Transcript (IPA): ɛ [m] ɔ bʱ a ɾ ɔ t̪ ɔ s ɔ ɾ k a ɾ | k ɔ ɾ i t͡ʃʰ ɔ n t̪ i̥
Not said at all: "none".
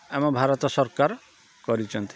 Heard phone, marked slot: m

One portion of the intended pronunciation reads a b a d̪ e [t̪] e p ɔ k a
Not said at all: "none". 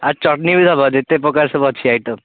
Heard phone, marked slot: t̪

